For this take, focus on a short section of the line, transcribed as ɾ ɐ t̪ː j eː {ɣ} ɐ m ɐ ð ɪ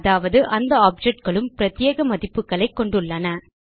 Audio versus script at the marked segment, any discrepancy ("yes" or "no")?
no